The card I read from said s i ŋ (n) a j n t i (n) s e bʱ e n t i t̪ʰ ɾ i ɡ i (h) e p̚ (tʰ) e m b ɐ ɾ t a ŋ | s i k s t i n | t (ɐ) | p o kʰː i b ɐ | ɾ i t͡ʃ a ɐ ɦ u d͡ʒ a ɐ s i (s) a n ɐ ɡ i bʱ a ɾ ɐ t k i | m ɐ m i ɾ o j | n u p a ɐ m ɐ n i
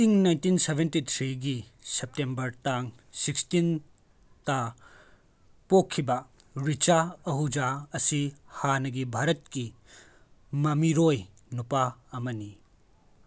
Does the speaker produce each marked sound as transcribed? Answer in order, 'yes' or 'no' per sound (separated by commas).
yes, yes, no, no, no, no